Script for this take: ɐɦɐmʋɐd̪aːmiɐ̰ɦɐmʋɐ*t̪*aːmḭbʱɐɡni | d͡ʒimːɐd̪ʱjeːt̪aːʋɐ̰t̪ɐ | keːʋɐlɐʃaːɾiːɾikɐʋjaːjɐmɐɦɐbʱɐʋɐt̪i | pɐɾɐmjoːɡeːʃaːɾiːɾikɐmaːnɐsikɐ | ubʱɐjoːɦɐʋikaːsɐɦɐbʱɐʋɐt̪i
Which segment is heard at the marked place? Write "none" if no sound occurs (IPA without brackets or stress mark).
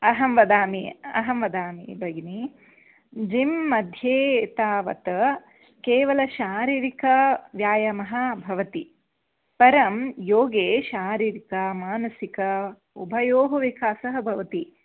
d̪